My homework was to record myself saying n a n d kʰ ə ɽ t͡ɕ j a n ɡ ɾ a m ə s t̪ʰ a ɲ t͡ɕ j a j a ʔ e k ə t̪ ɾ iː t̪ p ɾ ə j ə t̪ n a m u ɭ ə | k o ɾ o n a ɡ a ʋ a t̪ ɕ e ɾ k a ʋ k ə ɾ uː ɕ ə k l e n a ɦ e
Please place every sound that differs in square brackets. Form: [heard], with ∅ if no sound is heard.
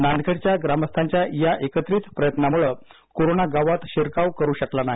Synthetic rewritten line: n a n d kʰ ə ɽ t͡ɕ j a [∅] ɡ ɾ a m ə s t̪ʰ a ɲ t͡ɕ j a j a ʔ e k ə t̪ ɾ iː t̪ p ɾ ə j ə t̪ n a m u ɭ ə | k o ɾ o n a ɡ a ʋ a t̪ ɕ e ɾ k a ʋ k ə ɾ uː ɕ ə k l [a] n a ɦ [i]